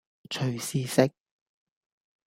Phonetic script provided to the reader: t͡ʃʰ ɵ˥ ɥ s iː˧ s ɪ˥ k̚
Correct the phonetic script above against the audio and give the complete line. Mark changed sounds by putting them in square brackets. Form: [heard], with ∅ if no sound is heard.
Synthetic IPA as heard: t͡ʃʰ [ɵ˨˩] ɥ s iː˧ s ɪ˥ k̚